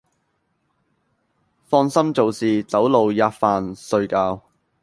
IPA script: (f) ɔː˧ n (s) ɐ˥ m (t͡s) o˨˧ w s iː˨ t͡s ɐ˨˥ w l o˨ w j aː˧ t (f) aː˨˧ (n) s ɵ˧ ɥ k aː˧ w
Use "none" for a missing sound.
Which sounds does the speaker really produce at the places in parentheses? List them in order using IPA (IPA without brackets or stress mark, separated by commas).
f, s, t͡s, f, n